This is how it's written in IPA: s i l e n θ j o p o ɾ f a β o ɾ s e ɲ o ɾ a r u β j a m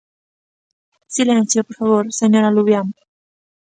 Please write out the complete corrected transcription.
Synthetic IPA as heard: s i l e n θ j o p o ɾ f a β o ɾ s e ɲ o ɾ a l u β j a m